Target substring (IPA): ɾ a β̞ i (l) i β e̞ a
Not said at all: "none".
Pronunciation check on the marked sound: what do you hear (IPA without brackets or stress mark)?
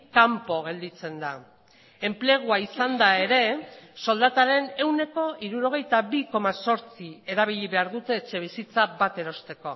ʎ